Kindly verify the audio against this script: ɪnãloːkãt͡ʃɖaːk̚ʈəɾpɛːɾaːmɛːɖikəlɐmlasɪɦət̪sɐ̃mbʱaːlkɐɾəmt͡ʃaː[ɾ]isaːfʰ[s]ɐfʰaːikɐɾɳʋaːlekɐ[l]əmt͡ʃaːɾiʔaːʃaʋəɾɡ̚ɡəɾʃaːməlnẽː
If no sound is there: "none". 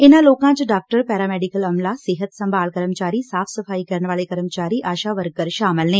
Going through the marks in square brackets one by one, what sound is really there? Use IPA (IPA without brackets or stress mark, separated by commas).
ɾ, s, ɾ